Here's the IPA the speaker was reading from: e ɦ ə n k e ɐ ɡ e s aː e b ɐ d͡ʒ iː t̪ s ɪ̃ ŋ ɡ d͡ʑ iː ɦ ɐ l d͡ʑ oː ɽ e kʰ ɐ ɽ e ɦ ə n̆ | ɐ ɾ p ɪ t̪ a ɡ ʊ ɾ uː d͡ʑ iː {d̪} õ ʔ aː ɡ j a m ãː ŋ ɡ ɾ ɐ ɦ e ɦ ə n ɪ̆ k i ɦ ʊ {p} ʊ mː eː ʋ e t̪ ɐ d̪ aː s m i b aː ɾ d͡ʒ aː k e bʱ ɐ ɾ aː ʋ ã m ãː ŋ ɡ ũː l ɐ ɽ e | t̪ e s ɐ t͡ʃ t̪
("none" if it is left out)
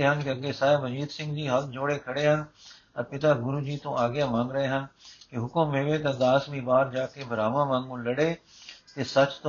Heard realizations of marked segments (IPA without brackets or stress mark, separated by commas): t̪, k